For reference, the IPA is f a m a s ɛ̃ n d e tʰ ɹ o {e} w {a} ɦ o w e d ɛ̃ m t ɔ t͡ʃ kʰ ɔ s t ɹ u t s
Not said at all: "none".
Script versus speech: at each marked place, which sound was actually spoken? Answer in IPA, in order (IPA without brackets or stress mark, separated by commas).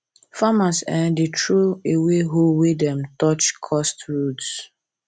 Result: e, e